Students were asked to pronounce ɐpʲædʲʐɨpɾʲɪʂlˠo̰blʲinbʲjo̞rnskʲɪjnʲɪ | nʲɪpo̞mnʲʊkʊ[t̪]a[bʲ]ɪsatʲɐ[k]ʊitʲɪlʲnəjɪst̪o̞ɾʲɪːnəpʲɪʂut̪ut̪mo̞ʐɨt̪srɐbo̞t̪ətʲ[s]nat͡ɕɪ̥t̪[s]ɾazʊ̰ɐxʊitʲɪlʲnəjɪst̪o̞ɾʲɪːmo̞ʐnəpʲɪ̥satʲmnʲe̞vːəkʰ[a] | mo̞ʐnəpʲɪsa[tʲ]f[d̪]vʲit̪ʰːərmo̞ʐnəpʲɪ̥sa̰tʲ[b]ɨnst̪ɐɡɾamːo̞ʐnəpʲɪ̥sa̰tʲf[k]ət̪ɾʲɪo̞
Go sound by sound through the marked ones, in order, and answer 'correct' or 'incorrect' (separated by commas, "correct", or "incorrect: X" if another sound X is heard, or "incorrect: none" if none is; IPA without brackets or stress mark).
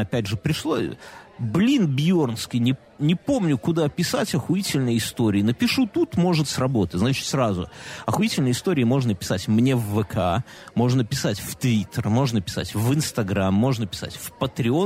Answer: incorrect: d̪, incorrect: pʲ, incorrect: x, incorrect: z, correct, correct, correct, incorrect: t̪, incorrect: v, incorrect: p